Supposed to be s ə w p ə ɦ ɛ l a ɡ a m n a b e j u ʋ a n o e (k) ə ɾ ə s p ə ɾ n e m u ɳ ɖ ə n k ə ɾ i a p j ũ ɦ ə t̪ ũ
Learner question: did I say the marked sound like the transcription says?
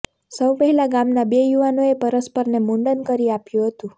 no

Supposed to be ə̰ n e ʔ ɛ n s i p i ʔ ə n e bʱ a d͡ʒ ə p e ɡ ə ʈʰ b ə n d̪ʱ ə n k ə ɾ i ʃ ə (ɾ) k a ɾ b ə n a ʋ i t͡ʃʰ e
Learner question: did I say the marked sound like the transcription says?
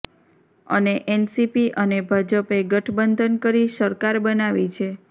yes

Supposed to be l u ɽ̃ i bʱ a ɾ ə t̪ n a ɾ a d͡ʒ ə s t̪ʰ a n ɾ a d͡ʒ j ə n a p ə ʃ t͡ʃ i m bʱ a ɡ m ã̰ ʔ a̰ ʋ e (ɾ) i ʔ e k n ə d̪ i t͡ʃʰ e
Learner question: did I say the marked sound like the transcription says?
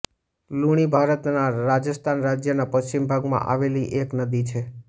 no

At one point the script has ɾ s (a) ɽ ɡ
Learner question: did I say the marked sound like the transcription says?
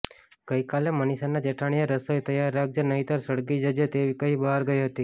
no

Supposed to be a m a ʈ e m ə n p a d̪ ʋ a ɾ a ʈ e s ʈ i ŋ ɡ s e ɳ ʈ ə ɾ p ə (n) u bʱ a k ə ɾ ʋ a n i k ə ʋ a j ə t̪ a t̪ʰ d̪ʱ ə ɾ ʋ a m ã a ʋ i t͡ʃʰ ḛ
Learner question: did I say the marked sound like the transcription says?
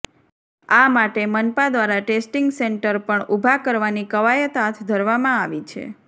no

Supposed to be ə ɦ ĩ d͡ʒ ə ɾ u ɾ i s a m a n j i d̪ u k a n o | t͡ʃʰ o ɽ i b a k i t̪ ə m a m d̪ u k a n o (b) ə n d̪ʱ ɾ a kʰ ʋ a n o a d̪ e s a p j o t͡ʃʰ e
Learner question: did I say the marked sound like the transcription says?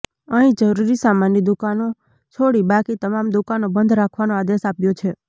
yes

